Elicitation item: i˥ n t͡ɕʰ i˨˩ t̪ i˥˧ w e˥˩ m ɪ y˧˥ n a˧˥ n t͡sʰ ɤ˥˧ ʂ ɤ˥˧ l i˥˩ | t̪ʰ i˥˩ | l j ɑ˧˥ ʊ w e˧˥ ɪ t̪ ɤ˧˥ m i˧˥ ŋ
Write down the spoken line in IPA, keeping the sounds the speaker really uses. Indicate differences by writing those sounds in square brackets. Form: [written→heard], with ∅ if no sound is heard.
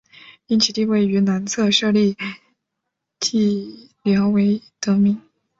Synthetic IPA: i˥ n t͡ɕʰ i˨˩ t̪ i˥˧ w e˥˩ [m→∅] ɪ y˧˥ n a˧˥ n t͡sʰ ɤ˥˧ ʂ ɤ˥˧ l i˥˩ | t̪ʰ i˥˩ | l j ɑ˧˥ ʊ w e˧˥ ɪ t̪ ɤ˧˥ m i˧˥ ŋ